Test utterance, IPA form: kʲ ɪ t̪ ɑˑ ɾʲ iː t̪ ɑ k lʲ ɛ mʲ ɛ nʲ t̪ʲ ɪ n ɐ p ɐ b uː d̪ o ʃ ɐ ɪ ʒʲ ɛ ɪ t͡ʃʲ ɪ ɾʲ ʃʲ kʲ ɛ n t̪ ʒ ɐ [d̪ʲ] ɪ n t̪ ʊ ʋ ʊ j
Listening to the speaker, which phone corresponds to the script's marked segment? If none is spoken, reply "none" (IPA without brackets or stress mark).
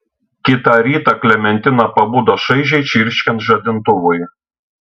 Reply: d̪ʲ